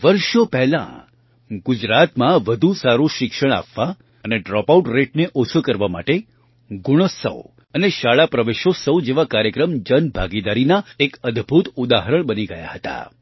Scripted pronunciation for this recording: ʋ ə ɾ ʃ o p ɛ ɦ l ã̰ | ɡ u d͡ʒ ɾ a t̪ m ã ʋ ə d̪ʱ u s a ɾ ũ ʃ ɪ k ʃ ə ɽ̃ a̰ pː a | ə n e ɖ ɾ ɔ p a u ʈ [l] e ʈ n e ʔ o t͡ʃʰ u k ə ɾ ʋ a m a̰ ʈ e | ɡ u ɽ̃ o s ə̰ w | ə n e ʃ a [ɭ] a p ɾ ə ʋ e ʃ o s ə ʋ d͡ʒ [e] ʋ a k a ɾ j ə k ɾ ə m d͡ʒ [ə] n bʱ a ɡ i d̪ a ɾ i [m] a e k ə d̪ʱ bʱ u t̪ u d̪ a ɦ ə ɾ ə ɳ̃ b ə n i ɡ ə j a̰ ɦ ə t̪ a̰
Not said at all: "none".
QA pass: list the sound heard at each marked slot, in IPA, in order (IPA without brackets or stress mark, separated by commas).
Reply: ɾ, ɭ, e, ə, n